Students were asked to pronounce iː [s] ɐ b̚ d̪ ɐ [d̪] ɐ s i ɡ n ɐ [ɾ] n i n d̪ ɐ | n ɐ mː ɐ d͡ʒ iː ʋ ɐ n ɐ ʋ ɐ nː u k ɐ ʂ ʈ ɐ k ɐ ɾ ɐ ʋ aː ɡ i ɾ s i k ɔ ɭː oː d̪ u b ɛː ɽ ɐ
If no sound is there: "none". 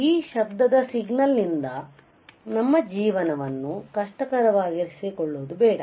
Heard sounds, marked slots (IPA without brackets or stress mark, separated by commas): ʃ, d̪, l